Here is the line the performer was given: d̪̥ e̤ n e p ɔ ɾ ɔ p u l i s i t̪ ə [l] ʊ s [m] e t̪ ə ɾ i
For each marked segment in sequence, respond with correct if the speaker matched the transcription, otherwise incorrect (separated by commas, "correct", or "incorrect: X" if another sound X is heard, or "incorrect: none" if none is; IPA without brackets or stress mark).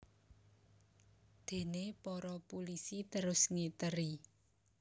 incorrect: ɾ, incorrect: ŋ